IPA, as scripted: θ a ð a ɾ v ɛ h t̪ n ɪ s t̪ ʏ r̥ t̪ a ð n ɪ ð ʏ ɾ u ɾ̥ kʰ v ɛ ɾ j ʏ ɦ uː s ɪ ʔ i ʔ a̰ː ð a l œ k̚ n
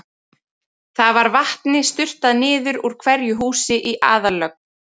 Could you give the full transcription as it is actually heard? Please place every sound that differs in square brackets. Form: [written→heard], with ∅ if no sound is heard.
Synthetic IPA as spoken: θ a [ð→v] a ɾ v [ɛ→a] h t̪ n ɪ s t̪ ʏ r̥ t̪ a ð n [ɪ→ɪː] ð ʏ ɾ u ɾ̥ kʰ v ɛ ɾ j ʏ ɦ uː s ɪ ʔ i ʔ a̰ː ð a l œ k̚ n